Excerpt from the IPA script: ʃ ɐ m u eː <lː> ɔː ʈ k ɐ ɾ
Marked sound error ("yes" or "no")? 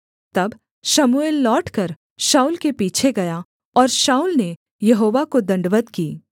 no